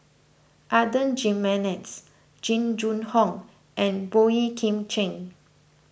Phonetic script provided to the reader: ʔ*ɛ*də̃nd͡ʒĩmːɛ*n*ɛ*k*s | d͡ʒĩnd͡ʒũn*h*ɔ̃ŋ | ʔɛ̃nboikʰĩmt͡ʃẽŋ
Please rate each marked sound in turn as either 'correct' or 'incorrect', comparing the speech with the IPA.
incorrect, correct, incorrect, correct

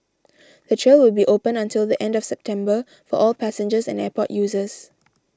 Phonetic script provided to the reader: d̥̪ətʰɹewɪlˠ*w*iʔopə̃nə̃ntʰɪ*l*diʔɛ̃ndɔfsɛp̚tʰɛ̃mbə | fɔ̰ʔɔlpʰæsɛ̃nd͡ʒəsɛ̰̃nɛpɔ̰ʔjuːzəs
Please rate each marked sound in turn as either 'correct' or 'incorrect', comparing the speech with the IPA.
incorrect, correct

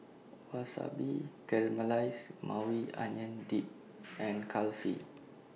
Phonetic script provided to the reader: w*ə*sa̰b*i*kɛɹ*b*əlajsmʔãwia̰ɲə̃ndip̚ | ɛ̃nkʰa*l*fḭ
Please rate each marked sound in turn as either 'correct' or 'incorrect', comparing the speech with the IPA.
incorrect, correct, incorrect, correct

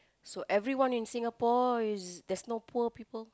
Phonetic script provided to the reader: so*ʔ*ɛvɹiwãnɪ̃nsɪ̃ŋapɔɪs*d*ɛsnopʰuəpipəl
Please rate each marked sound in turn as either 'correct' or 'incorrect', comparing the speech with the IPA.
correct, correct

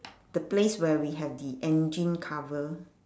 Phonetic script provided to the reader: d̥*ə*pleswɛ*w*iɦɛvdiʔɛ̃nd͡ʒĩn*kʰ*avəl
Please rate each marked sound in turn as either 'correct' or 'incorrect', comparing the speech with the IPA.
correct, correct, correct

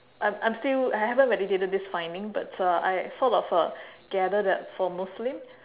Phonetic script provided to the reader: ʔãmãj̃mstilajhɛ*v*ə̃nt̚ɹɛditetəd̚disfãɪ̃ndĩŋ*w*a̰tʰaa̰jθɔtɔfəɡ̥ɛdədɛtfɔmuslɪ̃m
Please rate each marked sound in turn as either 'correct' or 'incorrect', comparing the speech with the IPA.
correct, incorrect

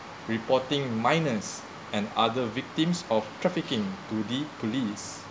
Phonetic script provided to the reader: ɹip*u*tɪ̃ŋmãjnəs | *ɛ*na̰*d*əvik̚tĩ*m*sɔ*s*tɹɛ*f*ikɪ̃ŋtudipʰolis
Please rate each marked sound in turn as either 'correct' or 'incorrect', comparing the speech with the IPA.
incorrect, incorrect, correct, correct, incorrect, correct

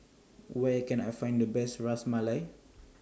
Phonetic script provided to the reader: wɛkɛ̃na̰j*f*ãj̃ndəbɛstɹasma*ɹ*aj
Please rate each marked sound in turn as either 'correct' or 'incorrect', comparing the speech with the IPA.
correct, incorrect

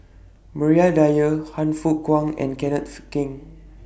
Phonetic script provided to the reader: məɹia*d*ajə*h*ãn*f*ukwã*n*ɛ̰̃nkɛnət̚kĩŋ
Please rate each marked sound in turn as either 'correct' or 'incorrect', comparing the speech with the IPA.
correct, correct, correct, incorrect

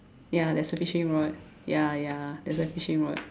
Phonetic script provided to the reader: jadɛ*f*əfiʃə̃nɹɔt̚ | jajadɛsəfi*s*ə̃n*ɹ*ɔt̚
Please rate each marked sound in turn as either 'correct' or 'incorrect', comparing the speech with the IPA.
incorrect, incorrect, correct

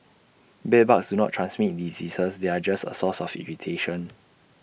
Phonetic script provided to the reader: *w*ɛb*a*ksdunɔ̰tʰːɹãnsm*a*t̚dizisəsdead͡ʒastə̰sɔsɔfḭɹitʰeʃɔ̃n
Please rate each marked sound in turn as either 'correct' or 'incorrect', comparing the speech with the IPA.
incorrect, correct, incorrect

